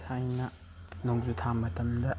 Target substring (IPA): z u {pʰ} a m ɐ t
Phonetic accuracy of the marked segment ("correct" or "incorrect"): incorrect